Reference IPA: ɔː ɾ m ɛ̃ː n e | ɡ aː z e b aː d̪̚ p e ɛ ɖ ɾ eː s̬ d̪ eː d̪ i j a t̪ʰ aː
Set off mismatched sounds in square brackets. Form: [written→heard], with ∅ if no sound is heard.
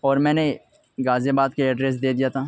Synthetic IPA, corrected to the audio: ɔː ɾ m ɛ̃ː n e | ɡ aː z e b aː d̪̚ [p→k] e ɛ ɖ ɾ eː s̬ d̪ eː d̪ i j a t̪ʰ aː